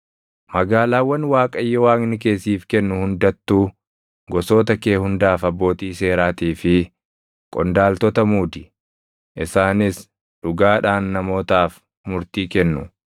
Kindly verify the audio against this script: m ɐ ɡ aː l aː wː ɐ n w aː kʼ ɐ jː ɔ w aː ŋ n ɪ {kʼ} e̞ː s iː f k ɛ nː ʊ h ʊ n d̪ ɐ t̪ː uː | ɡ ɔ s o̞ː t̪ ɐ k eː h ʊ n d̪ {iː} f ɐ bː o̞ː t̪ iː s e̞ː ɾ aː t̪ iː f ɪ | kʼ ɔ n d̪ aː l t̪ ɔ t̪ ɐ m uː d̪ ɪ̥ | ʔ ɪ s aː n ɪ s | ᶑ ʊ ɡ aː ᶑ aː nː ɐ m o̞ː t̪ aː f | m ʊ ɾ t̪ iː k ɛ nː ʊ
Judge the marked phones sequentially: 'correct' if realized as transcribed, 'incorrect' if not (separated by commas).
incorrect, incorrect